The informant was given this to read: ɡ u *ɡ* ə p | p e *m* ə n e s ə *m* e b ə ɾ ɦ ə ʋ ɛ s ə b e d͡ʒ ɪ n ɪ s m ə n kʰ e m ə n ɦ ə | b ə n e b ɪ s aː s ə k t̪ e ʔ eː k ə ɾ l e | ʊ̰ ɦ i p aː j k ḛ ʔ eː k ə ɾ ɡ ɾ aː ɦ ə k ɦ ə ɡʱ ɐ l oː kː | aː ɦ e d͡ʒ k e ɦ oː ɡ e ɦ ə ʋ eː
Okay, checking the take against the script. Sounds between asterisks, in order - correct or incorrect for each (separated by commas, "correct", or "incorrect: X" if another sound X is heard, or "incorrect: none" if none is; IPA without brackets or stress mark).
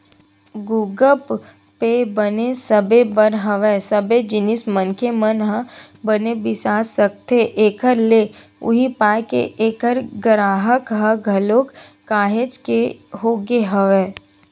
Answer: correct, incorrect: b, incorrect: b